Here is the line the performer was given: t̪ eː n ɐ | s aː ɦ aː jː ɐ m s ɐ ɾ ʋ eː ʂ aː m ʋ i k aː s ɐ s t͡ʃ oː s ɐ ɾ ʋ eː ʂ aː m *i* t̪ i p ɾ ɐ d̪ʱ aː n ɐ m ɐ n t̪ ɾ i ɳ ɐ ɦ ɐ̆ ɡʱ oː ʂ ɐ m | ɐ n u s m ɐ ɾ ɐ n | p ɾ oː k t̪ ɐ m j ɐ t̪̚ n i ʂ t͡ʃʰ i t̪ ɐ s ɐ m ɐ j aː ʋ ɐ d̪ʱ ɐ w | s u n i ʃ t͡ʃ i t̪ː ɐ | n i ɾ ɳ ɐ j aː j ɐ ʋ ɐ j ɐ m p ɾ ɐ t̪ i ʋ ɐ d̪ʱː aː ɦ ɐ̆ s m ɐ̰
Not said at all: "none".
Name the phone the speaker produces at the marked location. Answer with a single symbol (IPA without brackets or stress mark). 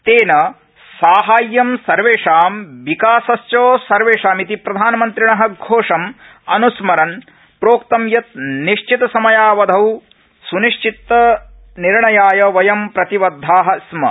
i